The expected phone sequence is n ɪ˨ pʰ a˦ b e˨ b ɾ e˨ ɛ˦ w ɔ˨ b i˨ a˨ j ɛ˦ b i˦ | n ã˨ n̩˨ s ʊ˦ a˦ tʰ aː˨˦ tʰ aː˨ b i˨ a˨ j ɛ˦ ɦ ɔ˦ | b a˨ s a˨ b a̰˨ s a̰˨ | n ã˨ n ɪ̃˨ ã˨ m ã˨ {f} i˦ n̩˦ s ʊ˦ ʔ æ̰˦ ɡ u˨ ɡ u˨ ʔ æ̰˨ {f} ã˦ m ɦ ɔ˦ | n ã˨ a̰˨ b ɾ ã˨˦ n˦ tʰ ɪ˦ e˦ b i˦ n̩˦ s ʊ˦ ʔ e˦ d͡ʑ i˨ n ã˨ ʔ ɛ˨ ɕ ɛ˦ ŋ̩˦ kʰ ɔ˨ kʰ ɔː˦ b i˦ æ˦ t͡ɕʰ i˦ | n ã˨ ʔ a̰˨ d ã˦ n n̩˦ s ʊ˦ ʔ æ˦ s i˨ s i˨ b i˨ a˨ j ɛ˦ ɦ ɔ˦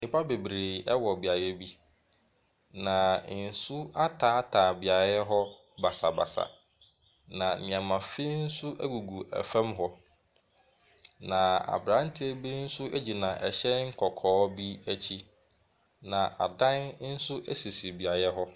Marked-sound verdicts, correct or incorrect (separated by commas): correct, correct